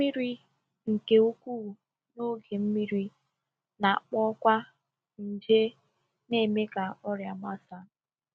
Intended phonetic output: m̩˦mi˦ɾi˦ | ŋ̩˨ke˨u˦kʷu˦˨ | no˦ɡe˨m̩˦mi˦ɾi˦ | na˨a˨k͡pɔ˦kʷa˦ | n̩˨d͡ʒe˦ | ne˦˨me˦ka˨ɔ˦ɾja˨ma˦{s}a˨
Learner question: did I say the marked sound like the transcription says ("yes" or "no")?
yes